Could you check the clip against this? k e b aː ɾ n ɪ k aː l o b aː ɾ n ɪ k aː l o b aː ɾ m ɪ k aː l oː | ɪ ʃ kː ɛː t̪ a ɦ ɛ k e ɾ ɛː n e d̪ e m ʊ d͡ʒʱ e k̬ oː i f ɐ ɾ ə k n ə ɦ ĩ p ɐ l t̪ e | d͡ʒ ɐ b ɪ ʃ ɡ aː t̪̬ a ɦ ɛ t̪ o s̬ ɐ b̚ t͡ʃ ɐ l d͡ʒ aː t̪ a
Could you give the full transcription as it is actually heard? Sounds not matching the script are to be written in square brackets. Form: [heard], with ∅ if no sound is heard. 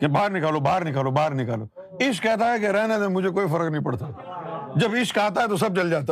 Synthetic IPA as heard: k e b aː ɾ n ɪ k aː l o b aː ɾ n ɪ k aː l o b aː ɾ [n] ɪ k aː l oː | ɪ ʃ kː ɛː t̪ a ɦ ɛ k e ɾ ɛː n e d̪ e m ʊ d͡ʒʱ e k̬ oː i f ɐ ɾ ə k n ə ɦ ĩ p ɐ [ɽ] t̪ [a] | d͡ʒ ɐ b ɪ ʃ [k] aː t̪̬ a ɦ ɛ t̪ o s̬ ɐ b̚ t͡ʃ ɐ l d͡ʒ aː t̪ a